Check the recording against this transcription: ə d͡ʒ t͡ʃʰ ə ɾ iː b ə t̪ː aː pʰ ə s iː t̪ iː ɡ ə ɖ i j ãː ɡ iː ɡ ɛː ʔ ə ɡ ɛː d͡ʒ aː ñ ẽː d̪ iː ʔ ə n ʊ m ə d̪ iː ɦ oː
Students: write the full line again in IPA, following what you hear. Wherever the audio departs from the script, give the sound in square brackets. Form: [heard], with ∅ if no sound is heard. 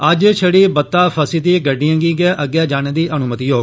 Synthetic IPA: ə d͡ʒ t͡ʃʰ ə [ɽ] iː b ə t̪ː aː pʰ ə s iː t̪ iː ɡ ə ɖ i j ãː ɡ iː ɡ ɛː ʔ ə ɡ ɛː d͡ʒ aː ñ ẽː d̪ iː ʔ ə n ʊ m ə [t̪] iː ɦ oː